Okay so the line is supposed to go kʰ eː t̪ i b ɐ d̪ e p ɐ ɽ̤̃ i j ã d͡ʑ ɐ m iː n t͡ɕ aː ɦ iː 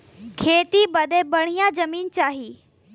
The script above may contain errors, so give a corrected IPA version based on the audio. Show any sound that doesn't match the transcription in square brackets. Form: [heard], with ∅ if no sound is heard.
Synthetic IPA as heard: kʰ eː t̪ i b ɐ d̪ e [b] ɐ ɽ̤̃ i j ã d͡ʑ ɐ m iː n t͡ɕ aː ɦ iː